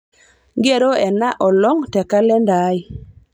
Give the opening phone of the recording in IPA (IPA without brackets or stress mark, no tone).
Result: ɡ